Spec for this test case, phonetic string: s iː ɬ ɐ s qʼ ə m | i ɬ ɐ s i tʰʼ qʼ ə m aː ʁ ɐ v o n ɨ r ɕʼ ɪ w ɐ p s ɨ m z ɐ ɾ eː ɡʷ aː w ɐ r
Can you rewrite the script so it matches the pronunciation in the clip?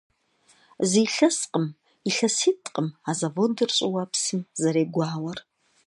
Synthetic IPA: z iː ɬ ɐ s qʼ ə m | i ɬ ɐ s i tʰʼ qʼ ə m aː z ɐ v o d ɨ r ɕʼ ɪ w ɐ p s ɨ m z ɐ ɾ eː ɡʷ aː w ɐ r